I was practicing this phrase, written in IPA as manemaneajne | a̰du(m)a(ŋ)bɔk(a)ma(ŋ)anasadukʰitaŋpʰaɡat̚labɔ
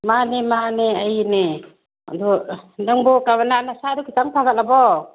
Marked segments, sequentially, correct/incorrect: incorrect: n, correct, correct, incorrect: n

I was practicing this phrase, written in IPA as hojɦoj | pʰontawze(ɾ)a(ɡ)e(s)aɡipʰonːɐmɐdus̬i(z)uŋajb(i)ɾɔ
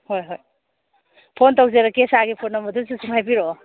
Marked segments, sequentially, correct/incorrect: correct, incorrect: k, correct, incorrect: s, correct

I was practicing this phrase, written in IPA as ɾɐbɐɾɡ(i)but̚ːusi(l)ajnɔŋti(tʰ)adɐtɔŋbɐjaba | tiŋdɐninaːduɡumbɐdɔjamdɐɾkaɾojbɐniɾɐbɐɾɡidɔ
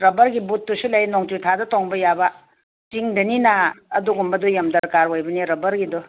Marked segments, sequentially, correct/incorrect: correct, correct, correct

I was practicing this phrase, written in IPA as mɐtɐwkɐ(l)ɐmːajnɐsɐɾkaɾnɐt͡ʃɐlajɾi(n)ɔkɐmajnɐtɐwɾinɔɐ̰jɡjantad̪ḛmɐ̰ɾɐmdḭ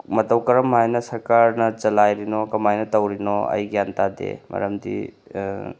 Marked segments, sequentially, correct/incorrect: incorrect: ɾ, correct

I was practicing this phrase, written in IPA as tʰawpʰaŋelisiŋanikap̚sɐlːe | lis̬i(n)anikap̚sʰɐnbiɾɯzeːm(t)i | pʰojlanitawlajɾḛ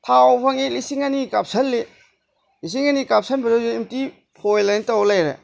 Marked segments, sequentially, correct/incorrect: incorrect: ŋ, correct

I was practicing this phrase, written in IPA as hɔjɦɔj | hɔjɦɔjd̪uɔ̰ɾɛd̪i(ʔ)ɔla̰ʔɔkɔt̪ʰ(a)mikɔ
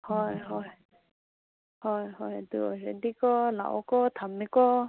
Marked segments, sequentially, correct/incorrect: incorrect: k, correct

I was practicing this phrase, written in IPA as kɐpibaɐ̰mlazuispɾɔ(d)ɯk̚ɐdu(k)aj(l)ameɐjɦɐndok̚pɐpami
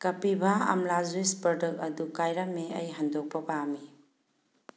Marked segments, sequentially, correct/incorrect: correct, correct, incorrect: ɾ

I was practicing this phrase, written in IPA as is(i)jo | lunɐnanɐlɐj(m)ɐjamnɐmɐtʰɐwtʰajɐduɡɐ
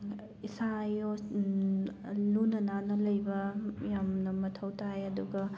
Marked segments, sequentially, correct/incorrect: incorrect: a, incorrect: b

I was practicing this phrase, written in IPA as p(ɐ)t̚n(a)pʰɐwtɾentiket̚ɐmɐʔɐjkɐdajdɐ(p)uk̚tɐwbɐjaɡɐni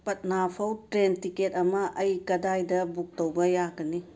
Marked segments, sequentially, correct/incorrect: correct, correct, incorrect: b

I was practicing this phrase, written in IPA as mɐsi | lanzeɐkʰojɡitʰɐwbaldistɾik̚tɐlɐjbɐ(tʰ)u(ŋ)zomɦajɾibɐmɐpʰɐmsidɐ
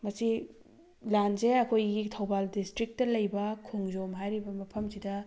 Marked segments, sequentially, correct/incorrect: incorrect: kʰ, correct

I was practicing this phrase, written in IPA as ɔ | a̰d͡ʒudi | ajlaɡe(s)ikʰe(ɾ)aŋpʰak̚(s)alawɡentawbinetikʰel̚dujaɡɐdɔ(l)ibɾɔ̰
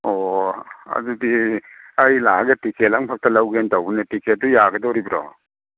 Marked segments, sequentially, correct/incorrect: incorrect: t, incorrect: l, incorrect: t, incorrect: ɾ

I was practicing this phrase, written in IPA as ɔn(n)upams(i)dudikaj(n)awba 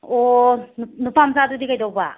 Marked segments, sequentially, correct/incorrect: correct, incorrect: a, incorrect: d

